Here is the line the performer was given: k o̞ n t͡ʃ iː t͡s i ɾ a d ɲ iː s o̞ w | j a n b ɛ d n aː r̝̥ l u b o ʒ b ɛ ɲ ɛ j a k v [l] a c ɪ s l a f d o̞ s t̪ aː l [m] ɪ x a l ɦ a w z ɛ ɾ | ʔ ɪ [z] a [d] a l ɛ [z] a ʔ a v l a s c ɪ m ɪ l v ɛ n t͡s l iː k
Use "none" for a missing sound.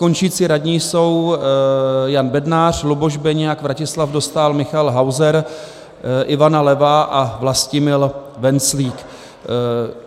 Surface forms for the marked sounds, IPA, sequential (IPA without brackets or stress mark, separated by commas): ɾ, m, v, n, v